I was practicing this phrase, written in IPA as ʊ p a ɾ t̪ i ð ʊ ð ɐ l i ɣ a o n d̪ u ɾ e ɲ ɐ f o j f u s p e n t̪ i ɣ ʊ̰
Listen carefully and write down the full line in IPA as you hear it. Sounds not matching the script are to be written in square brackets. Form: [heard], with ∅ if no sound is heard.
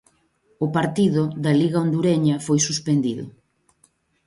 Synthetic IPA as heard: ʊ p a ɾ t̪ i ð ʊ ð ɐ l i ɣ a o n d̪ u ɾ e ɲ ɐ f o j [s] u s p e n [d̪] i [ð] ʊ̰